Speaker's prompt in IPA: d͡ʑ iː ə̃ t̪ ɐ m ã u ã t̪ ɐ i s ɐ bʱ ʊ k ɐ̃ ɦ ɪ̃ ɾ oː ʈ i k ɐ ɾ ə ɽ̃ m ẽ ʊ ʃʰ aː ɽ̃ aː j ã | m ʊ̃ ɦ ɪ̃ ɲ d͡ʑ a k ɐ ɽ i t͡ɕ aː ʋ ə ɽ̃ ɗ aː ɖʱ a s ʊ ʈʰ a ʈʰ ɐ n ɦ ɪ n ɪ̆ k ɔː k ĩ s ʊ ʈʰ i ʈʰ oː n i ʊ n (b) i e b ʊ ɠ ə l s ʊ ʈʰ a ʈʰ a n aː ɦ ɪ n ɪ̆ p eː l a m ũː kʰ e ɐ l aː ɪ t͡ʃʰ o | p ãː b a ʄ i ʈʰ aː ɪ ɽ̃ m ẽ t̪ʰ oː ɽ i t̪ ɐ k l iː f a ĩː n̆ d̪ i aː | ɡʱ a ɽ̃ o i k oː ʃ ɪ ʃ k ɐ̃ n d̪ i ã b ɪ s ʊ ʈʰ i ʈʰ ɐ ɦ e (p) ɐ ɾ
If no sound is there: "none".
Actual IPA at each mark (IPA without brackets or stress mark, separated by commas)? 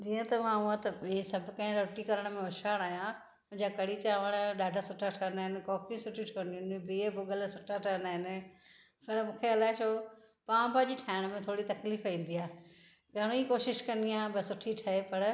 b, p